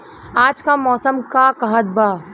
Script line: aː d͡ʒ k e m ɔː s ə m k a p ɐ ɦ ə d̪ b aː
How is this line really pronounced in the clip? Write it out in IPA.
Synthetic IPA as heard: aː d͡ʒ k a m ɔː s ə m k a k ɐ ɦ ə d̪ b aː